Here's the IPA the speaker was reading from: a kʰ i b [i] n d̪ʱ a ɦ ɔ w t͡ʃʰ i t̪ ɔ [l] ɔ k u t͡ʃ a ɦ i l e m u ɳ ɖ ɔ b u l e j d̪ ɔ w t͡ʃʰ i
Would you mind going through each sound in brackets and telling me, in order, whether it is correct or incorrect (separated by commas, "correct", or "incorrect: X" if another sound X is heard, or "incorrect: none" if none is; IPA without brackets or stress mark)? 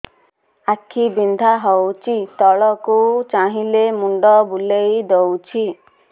correct, incorrect: ɭ